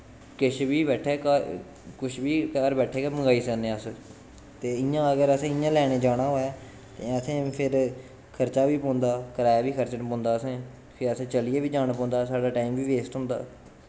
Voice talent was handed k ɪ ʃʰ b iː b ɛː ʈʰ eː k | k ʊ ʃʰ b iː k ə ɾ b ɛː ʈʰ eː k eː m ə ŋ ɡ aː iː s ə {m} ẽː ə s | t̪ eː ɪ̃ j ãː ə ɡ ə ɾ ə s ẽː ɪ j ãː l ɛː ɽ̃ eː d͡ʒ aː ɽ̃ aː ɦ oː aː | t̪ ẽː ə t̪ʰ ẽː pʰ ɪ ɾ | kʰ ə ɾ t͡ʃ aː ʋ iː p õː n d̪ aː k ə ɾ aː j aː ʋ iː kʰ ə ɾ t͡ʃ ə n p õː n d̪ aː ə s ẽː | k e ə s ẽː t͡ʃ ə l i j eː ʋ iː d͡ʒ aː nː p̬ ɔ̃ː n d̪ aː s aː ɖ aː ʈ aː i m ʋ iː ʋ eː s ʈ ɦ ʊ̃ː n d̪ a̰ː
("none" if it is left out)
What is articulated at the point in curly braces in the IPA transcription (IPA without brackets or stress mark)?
n